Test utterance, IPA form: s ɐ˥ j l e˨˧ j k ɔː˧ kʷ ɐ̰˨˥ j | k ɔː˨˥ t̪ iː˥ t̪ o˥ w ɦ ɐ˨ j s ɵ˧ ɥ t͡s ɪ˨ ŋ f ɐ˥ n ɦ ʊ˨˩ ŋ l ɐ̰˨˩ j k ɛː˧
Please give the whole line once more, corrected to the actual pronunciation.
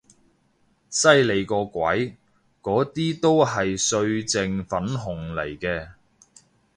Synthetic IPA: s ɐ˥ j l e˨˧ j k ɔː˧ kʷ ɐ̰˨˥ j | k ɔː˨˥ t̪ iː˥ t̪ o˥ w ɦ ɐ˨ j s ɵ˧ ɥ t͡s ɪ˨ ŋ f ɐ˨˥ n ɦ ʊ˨˩ ŋ l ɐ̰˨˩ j k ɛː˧